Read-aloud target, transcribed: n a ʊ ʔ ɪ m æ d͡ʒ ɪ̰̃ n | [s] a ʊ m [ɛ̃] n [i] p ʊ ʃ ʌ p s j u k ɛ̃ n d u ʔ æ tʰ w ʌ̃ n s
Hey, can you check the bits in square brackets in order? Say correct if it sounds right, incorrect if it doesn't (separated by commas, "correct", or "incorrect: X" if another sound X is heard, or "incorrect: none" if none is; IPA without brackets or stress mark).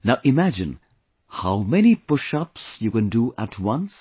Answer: incorrect: h, incorrect: ɛ, correct